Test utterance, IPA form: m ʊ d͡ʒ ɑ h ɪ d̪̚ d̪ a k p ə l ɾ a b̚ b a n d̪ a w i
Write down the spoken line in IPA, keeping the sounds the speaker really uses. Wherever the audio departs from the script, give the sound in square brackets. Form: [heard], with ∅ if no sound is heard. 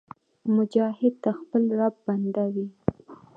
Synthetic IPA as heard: m ʊ d͡ʒ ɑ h ɪ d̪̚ [t̪] a [x] p ə l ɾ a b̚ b a n d̪ a w i